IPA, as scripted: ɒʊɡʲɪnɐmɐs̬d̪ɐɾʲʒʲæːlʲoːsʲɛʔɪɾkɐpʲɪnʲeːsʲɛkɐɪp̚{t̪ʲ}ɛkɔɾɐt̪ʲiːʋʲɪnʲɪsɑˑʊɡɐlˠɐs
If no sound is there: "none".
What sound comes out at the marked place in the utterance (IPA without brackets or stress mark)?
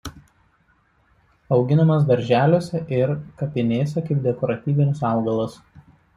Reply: d̪ʲ